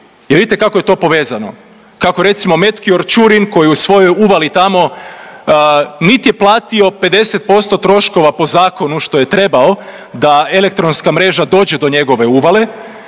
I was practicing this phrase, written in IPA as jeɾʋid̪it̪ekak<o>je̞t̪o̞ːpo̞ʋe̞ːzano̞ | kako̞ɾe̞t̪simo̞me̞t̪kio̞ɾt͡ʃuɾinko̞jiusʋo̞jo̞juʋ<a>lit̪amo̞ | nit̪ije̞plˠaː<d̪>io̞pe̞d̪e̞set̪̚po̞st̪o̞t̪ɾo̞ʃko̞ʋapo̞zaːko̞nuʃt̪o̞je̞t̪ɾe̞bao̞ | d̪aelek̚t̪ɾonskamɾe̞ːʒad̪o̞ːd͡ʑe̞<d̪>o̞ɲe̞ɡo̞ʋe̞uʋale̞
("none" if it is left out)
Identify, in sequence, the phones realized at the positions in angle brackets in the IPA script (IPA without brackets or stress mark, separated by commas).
o, a, t̪, d̪